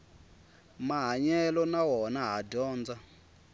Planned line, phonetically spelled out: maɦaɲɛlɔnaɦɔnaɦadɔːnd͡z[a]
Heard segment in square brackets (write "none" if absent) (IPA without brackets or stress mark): a